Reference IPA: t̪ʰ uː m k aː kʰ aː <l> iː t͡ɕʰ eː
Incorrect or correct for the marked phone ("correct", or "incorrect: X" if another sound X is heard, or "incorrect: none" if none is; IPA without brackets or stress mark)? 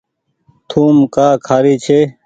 incorrect: ɾ